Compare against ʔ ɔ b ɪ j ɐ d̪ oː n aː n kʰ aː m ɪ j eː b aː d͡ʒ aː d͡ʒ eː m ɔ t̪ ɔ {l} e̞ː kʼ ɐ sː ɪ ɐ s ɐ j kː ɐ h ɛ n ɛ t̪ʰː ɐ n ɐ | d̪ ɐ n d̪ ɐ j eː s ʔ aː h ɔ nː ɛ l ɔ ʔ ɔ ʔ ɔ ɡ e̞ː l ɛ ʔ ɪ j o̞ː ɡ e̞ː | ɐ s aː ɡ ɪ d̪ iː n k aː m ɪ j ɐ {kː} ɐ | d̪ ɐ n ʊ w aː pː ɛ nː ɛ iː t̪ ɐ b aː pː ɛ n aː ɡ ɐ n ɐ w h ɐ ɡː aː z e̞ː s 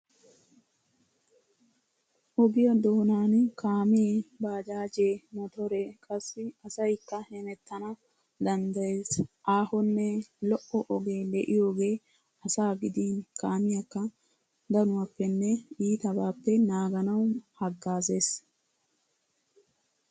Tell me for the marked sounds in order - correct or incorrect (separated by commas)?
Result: incorrect, correct